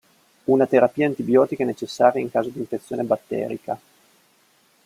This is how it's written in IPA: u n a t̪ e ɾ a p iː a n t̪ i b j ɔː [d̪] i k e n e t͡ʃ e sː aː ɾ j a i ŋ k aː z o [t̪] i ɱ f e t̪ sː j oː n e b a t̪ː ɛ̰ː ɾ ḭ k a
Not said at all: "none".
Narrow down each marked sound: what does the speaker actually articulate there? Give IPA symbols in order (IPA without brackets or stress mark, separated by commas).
t̪, d̪